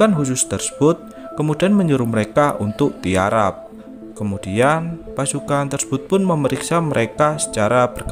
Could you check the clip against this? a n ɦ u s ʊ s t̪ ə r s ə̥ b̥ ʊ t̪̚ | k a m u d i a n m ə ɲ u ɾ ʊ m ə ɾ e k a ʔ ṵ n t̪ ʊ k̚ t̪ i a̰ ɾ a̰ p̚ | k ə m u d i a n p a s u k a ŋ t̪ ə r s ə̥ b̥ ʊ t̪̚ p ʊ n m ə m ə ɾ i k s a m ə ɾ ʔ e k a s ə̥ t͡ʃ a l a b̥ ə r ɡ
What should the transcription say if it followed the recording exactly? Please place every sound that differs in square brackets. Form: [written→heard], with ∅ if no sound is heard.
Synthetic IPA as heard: a n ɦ u s ʊ s t̪ ə r s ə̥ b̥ ʊ t̪̚ | k [a→ə] m u d i a n m ə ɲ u ɾ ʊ m ə ɾ e k a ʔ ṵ n t̪ ʊ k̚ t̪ i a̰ ɾ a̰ p̚ | k ə m u d i a n p a s u k a [ŋ→n] t̪ ə r s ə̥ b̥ ʊ t̪̚ p ʊ n m ə m ə ɾ i k s a m ə ɾ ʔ e k a s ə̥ t͡ʃ a [l→ɾ] a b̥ ə r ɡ